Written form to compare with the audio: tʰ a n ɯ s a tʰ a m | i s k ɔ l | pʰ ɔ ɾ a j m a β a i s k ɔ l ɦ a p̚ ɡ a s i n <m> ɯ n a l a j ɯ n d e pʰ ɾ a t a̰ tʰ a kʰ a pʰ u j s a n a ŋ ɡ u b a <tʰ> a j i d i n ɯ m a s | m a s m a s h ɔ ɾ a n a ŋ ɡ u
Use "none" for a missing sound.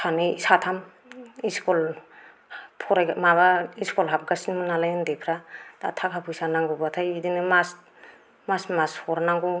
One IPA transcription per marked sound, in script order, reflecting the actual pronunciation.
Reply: m, tʰ

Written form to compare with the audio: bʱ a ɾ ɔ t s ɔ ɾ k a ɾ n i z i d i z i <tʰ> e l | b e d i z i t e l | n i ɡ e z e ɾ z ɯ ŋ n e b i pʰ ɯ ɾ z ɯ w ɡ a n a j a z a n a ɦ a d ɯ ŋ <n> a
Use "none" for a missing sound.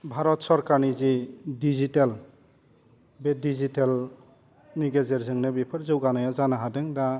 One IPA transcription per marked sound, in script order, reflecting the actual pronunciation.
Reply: t, d

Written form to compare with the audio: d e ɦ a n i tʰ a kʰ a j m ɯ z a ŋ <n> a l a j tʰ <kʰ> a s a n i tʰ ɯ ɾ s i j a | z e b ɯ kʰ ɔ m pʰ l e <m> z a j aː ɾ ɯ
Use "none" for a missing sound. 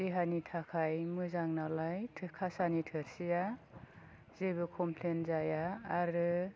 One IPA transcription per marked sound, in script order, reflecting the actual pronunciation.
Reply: n, kʰ, n

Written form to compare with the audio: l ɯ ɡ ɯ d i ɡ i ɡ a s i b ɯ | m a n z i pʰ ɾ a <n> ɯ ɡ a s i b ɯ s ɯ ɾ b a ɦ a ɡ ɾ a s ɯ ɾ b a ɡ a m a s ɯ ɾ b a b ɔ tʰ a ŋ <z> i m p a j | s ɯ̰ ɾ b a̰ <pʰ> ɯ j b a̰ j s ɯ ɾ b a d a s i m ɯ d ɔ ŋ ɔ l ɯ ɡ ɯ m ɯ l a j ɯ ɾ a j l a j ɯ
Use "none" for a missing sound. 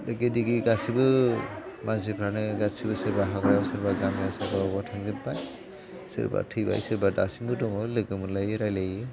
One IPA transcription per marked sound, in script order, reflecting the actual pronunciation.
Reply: n, z, tʰ

